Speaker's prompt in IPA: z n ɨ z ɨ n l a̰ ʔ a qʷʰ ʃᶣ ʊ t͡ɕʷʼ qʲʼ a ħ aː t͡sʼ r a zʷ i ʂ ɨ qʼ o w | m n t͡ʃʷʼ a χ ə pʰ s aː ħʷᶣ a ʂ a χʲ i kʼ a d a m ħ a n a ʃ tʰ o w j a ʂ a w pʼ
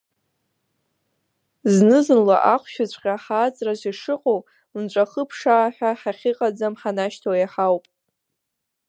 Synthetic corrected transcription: z n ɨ z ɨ n l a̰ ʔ a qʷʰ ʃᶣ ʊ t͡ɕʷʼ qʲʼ a ħ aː t͡sʼ r a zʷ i ʂ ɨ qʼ o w | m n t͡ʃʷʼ a χ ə pʰ ʂ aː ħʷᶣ a ħ a χʲ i qʼ a d͡z a m ħ a n a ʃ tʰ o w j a ħ a w pʼ